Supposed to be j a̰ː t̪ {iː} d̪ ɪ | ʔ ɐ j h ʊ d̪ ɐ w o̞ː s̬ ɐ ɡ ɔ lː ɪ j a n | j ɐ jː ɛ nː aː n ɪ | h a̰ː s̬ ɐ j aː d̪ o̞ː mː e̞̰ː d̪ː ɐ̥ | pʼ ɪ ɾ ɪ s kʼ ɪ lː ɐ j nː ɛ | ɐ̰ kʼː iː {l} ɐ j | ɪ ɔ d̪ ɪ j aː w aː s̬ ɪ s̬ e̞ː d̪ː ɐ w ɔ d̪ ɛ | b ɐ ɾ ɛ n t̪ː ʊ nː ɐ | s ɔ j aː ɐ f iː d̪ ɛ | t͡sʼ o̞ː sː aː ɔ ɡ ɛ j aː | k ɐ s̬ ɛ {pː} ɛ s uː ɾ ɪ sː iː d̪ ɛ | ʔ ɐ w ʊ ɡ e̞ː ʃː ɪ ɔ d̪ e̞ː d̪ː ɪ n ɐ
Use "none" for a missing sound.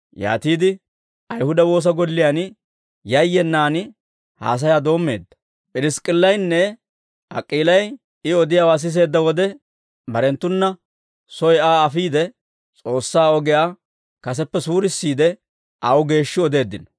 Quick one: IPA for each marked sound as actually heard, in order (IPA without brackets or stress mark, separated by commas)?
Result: iː, l, pː